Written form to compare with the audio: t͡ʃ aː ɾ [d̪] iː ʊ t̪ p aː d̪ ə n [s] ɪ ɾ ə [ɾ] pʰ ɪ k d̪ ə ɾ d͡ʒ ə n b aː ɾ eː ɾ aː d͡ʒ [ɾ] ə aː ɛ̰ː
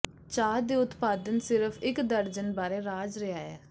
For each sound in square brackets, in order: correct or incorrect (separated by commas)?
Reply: correct, correct, incorrect, correct